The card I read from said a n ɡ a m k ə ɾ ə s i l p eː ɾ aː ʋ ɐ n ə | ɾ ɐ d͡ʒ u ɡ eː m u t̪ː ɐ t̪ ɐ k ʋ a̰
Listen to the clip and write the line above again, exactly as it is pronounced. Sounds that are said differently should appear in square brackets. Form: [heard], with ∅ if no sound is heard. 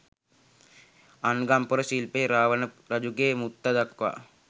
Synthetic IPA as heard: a n ɡ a m [p] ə ɾ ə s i l p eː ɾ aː ʋ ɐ n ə | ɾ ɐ d͡ʒ u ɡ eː m u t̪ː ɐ [d̪] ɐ k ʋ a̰